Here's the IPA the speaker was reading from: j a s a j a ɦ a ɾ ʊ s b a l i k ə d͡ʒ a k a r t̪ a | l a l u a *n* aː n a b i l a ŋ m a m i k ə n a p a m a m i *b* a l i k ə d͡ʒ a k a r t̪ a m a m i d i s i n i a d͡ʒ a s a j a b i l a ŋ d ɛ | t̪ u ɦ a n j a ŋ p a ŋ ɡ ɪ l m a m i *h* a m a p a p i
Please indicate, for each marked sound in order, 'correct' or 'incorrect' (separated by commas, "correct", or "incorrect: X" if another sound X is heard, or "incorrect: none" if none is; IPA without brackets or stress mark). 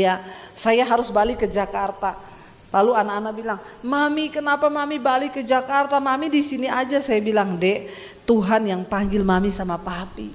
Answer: correct, correct, incorrect: s